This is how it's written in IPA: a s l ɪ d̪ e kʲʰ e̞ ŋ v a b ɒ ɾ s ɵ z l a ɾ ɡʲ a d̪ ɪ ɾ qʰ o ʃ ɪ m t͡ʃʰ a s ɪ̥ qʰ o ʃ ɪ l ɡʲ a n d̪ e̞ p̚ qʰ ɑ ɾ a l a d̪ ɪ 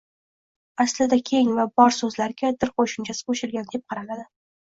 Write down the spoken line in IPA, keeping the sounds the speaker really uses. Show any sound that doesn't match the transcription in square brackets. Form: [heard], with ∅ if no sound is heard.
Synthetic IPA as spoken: a s l ɪ d̪ [a] kʲʰ e̞ ŋ v a b ɒ ɾ s ɵ z l a ɾ ɡʲ a d̪ ɪ ɾ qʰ o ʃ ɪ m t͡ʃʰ a s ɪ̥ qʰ o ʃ ɪ l ɡʲ a n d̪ e̞ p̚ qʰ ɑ ɾ a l a d̪ ɪ